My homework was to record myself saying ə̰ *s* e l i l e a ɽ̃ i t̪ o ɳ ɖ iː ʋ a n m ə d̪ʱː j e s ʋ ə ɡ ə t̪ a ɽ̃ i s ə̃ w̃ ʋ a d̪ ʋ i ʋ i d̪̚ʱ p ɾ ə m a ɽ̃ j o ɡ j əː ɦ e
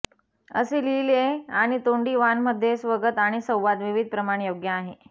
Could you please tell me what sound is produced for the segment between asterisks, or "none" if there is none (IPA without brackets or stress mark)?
s